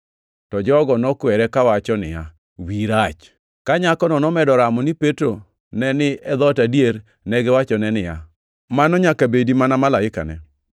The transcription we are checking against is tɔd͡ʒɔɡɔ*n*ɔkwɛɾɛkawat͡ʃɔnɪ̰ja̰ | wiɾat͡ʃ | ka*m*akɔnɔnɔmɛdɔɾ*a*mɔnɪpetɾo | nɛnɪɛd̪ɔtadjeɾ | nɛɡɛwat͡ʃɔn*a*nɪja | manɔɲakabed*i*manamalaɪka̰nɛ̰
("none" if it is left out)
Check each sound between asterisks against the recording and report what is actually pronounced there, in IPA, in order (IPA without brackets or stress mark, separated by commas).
n, ɲ, a, ɛ, i